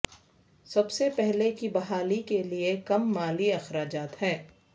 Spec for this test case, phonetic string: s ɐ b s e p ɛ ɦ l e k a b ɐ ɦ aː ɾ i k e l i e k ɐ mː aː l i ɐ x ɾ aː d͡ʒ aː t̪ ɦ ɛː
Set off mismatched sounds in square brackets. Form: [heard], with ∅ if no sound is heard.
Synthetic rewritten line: s ɐ b s e p ɛ ɦ l e k [i] b ɐ ɦ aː [l] i k e l i e k ɐ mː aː l i ɐ x ɾ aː d͡ʒ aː t̪ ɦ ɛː